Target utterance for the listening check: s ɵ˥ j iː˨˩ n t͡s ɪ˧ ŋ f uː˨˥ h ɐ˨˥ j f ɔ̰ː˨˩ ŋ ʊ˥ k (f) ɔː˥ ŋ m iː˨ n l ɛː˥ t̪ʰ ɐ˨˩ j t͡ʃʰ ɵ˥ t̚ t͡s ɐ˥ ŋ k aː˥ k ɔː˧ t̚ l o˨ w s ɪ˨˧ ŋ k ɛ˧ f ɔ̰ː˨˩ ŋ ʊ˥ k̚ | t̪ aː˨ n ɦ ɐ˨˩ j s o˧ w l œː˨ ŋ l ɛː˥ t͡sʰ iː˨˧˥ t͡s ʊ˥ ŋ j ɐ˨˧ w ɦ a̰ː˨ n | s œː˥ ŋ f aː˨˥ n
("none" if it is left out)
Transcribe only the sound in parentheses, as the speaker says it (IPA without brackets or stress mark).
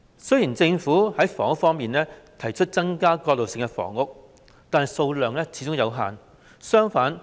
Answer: f